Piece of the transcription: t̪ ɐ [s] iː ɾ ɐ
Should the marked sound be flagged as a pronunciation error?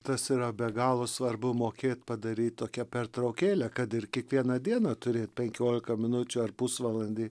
no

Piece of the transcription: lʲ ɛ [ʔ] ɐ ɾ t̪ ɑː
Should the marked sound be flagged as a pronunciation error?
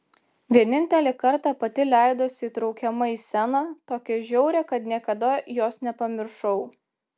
yes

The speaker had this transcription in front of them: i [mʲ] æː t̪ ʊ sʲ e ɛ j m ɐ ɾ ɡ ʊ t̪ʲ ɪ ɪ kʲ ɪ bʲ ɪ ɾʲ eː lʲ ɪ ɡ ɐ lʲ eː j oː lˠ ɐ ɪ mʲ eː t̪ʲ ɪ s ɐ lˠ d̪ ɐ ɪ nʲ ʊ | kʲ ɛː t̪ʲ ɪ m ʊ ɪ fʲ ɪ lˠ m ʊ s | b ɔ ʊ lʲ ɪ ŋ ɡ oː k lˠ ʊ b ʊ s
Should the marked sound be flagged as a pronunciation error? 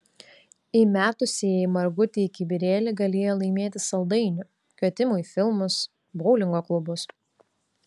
no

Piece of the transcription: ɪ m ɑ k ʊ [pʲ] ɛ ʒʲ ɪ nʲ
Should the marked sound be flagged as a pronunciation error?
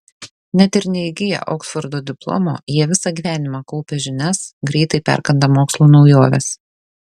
no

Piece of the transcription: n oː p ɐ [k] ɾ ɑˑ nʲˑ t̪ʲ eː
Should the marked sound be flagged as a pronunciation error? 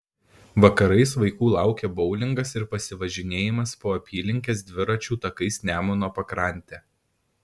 no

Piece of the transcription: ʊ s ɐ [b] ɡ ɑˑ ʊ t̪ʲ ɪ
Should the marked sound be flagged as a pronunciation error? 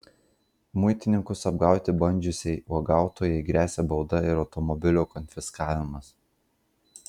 no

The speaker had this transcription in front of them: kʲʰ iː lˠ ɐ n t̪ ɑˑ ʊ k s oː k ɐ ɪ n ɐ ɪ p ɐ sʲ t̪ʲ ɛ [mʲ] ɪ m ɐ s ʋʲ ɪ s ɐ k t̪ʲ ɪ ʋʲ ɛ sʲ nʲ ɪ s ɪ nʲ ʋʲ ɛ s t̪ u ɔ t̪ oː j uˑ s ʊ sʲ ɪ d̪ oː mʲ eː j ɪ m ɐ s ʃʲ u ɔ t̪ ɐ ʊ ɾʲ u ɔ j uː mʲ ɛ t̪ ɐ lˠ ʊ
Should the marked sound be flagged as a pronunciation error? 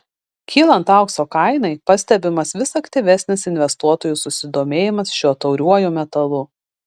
yes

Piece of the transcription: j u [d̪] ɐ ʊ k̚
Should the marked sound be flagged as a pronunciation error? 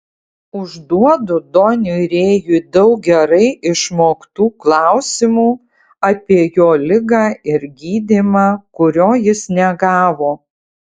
no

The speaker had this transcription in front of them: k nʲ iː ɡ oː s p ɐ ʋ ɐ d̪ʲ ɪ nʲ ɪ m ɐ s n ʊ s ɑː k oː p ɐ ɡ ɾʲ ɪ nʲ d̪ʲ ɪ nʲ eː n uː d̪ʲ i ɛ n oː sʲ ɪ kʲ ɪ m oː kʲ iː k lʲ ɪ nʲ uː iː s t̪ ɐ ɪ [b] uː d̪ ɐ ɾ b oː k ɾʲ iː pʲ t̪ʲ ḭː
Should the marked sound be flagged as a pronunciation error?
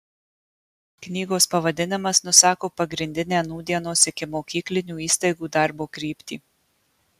yes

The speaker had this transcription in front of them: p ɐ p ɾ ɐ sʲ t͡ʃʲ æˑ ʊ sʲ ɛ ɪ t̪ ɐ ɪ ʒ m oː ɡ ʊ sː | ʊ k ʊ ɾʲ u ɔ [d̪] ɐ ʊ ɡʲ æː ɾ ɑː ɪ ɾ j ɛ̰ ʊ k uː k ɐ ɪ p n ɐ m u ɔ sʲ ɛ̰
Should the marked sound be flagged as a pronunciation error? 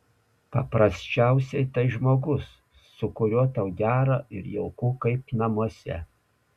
yes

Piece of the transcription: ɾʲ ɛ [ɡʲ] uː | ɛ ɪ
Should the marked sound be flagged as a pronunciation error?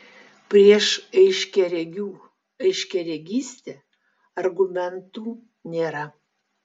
no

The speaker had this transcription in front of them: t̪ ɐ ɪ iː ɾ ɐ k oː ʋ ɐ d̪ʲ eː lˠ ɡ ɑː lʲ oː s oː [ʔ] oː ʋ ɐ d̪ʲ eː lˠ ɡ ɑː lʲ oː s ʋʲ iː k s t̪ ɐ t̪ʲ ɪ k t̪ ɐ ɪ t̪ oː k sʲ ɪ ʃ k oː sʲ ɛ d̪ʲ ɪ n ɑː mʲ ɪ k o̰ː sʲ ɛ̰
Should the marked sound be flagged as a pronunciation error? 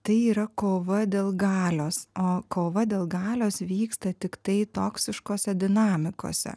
yes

